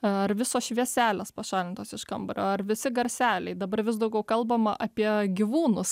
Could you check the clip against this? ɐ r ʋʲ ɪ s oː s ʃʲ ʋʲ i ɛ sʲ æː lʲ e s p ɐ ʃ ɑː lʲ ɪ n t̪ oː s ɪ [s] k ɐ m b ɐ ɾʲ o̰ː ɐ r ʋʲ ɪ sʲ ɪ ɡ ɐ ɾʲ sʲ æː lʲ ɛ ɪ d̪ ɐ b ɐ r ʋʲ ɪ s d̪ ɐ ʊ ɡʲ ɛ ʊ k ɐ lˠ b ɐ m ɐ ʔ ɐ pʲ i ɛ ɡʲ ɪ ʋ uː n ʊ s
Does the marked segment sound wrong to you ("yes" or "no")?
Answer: yes